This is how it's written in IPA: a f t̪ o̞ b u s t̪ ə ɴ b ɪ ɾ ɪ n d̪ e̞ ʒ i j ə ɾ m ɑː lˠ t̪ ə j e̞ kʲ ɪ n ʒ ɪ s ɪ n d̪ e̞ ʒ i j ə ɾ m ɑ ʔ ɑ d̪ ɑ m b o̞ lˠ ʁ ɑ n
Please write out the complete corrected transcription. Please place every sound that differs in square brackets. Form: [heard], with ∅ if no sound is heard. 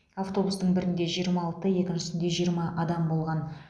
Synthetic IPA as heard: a f t̪ o̞ b u s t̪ ə ɴ b ɪ ɾ ɪ n d̪ e̞ ʒ i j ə ɾ m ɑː lˠ t̪ ə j e̞ kʲ ɪ n ʒ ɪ s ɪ n d̪ e̞ ʒ i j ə ɾ m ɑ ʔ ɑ d̪ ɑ m b o̞ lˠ ʁ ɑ n